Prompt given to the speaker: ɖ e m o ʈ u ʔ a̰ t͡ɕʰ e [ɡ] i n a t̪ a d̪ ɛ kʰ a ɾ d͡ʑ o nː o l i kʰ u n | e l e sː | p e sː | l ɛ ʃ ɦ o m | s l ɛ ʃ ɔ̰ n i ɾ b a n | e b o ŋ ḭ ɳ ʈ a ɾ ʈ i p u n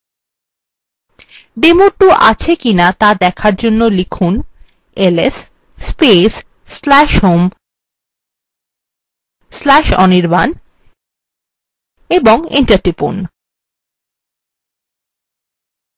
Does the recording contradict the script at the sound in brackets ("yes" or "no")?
yes